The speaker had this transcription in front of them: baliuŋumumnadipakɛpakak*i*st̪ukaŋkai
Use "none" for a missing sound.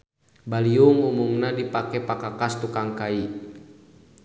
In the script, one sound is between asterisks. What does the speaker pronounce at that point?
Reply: a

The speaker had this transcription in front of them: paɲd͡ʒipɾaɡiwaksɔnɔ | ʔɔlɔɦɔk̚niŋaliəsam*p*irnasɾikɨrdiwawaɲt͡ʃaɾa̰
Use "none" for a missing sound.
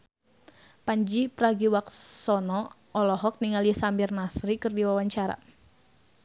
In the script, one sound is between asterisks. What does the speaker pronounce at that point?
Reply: b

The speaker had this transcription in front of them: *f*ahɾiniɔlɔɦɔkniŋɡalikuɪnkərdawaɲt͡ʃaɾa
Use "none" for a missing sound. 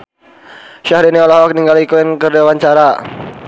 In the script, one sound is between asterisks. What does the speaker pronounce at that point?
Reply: ʃ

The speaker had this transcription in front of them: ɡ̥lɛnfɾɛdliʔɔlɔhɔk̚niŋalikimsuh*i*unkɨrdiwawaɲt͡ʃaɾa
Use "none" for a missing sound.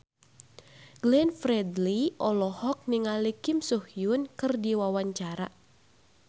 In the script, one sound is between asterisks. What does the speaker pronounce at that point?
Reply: j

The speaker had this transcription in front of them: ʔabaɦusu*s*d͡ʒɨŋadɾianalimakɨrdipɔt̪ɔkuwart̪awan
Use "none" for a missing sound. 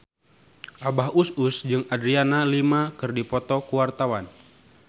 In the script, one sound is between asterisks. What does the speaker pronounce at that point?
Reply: s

